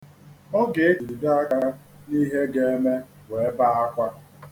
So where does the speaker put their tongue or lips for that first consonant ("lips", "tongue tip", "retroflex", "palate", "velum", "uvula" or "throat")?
velum